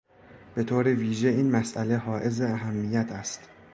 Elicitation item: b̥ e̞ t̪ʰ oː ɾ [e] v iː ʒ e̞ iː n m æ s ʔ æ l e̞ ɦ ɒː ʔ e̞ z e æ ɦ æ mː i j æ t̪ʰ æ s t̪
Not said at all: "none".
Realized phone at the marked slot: e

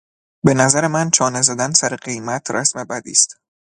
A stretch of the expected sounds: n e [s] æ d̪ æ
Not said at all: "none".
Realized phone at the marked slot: z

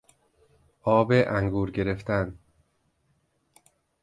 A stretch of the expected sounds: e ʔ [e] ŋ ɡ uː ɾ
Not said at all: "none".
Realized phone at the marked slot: æ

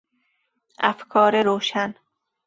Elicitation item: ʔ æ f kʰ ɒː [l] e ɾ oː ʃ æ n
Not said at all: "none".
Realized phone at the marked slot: ɾ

